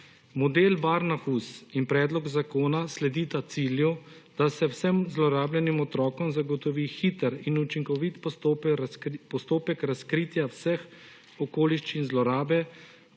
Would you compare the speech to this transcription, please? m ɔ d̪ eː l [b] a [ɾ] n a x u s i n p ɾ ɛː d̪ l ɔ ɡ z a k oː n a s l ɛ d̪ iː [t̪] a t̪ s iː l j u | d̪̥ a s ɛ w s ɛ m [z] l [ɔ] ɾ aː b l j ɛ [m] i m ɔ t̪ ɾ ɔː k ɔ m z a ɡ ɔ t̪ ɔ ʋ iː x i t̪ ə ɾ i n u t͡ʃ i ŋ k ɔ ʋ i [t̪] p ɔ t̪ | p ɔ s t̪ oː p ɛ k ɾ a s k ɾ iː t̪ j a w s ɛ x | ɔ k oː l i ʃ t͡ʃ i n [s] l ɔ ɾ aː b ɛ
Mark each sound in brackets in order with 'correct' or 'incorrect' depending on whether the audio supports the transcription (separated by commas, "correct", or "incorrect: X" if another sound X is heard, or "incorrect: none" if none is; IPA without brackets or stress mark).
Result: correct, correct, correct, correct, correct, incorrect: n, correct, incorrect: z